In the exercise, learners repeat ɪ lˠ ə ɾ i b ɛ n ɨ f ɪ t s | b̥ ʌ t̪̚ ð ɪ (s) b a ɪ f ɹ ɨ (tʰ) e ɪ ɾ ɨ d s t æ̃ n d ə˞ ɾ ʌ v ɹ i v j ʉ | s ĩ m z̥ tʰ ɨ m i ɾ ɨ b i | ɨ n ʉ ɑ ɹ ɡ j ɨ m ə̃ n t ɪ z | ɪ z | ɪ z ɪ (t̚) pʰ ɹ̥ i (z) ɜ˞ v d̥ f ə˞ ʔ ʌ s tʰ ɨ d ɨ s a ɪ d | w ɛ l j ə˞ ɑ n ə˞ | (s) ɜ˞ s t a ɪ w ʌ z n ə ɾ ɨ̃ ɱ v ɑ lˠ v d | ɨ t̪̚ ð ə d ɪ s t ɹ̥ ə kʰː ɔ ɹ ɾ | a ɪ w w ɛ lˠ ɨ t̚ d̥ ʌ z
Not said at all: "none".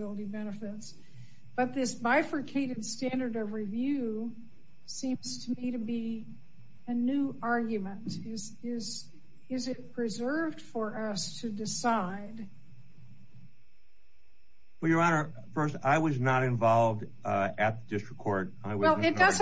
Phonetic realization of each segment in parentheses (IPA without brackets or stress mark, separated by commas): s, kʰ, t̚, z, f